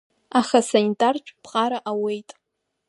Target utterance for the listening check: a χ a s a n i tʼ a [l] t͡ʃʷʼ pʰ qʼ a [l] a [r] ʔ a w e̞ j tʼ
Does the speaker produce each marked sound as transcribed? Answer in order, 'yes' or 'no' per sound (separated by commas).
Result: no, no, no